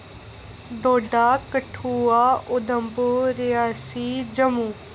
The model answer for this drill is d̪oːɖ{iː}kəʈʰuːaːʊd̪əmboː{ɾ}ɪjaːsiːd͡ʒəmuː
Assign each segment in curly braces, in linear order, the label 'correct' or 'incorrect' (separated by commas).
incorrect, correct